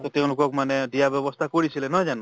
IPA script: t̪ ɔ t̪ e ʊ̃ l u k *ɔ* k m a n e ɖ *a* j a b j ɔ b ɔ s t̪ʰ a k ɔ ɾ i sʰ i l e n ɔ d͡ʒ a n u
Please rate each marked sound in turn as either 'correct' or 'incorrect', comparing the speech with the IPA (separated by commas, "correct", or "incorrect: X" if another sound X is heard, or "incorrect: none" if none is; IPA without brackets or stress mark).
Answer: correct, incorrect: i